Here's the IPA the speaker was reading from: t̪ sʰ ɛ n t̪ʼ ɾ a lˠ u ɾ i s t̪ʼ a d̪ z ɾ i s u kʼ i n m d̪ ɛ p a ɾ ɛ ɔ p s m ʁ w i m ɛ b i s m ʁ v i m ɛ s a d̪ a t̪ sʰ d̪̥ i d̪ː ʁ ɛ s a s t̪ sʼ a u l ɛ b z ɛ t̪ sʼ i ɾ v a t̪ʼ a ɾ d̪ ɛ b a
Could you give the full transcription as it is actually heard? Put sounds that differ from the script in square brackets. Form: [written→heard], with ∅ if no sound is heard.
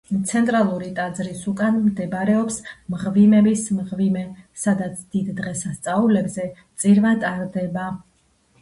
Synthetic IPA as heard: t̪ sʰ ɛ n t̪ʼ ɾ a lˠ u ɾ i [s→∅] t̪ʼ a d̪ z ɾ i s u kʼ [i→a] n m d̪ ɛ [p→b] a ɾ ɛ ɔ p s m ʁ [w→v] i m ɛ b i s m ʁ v i m ɛ s a d̪ a t̪ sʰ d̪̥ i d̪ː ʁ ɛ s a s t̪ sʼ a u l ɛ b z ɛ t̪ sʼ i ɾ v a t̪ʼ a ɾ d̪ ɛ b a

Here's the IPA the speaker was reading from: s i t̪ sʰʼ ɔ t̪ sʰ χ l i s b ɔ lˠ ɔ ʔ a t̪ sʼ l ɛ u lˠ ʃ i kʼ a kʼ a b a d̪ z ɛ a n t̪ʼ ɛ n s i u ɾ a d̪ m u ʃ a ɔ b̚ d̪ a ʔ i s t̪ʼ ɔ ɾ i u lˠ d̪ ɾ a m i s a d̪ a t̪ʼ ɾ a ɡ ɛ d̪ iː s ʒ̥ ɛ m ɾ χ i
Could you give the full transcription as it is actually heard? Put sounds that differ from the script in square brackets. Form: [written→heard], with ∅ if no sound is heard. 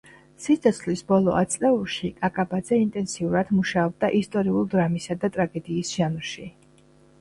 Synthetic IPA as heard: s i t̪ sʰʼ ɔ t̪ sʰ χ l i s b ɔ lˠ ɔ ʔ a t̪ sʼ l ɛ u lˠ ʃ i kʼ a kʼ a b a d̪ z ɛ [a→i] n t̪ʼ ɛ n s i u ɾ a d̪ m u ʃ a ɔ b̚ d̪ a ʔ i s t̪ʼ ɔ ɾ i u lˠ d̪ ɾ a m i s a d̪ a t̪ʼ ɾ a ɡ ɛ d̪ iː s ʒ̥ [ɛ→a] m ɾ [χ→ʃ] i

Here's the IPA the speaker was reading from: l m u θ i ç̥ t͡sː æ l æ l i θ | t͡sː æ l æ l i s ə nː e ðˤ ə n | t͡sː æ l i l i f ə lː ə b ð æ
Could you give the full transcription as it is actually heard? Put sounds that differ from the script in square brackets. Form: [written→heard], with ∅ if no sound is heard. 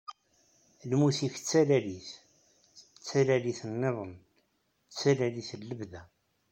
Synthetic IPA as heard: l m u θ i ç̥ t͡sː æ l æ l i θ | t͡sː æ l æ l i [s→θ] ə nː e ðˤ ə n | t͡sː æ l [i→æ] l i [f→θ] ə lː ə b ð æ

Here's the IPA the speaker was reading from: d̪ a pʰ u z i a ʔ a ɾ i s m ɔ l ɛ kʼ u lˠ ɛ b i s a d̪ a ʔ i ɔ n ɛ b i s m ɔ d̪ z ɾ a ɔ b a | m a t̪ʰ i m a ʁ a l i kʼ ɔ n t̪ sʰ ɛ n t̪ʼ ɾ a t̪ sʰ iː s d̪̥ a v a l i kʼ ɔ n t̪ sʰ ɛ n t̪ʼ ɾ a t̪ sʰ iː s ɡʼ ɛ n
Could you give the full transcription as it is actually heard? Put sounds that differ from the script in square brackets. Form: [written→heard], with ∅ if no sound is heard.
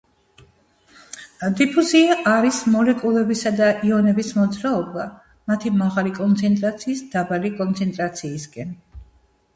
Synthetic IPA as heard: d̪ [a→i] pʰ u z i a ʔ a ɾ i s m ɔ l ɛ kʼ u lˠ ɛ b i s a d̪ a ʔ i ɔ n ɛ b i s m ɔ d̪ z ɾ a ɔ b a | m a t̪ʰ i m a ʁ a l i kʼ ɔ n t̪ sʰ ɛ n t̪ʼ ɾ a t̪ sʰ iː s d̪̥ a [v→b] a l i kʼ ɔ n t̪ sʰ ɛ n t̪ʼ ɾ a t̪ sʰ iː s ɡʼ ɛ n

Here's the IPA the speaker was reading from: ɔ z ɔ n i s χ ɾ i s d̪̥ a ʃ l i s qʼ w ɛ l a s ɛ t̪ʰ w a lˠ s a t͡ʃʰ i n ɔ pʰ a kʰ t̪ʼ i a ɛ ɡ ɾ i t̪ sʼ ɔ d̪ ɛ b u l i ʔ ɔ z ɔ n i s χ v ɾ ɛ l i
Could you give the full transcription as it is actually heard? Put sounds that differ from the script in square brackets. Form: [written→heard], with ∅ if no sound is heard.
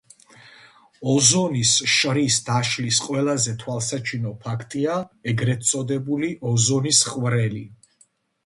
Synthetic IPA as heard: ɔ z ɔ n i s [χ→ʃ] ɾ i s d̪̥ a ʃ l i s qʼ w ɛ l a [s→z] ɛ t̪ʰ w a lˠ s a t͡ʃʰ i n ɔ pʰ a kʰ t̪ʼ i a ɛ ɡ ɾ [i→ɛ] t̪ sʼ ɔ d̪ ɛ b u l i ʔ ɔ z ɔ n i s χ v ɾ ɛ l i

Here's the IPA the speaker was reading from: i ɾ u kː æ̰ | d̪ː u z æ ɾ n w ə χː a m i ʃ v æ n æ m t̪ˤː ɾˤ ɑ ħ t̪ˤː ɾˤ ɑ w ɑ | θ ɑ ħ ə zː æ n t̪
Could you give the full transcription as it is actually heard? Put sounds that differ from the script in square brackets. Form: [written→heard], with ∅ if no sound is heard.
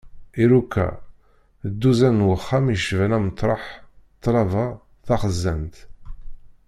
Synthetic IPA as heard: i ɾ u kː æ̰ | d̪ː u z æ [ɾ→∅] n w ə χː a m i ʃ v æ n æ m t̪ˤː ɾˤ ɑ ħ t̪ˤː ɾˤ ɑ [w→v] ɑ | θ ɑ [ħ→χ] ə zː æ n t̪

